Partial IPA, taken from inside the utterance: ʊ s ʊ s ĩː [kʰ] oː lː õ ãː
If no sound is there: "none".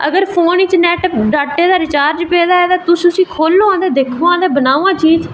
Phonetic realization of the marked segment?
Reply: kʰ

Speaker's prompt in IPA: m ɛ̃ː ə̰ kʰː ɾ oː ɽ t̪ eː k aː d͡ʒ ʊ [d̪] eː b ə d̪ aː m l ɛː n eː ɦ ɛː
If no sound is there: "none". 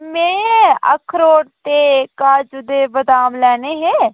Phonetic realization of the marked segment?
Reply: d̪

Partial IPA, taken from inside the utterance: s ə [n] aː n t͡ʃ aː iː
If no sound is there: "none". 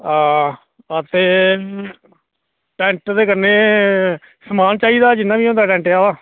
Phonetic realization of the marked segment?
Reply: m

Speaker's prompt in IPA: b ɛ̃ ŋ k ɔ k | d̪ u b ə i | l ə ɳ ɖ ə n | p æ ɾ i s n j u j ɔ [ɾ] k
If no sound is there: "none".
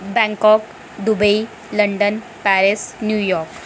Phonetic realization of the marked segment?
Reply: ɾ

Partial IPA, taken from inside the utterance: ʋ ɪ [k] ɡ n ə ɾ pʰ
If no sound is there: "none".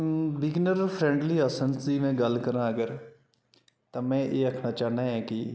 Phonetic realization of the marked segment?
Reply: none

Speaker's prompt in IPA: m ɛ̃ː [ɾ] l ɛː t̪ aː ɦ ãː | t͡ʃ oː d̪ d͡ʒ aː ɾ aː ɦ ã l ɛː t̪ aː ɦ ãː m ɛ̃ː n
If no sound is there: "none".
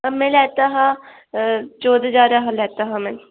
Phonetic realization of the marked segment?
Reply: none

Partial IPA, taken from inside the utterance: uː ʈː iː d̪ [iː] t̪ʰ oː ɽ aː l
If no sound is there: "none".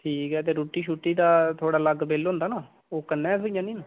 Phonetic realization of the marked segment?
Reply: aː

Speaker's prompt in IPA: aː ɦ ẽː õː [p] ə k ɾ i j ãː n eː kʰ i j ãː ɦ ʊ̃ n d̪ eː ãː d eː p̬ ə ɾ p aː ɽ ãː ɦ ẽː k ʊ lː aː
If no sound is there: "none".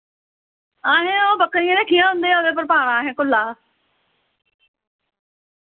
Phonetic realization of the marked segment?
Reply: b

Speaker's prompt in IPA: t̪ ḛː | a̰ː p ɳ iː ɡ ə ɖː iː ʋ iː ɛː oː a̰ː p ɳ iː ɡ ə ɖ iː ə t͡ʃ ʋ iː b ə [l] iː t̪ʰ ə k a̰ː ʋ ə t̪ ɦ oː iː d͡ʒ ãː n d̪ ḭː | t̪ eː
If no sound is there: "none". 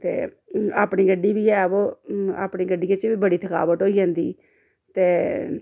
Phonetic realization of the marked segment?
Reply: ɽ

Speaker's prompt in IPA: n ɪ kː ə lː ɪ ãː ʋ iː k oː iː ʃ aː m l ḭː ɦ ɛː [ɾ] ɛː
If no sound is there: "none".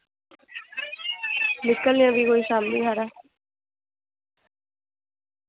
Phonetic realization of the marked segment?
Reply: ɾ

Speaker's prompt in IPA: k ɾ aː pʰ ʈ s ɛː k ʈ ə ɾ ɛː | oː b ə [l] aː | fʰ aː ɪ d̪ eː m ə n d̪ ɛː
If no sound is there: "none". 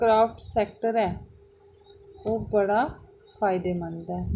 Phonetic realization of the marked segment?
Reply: ɽ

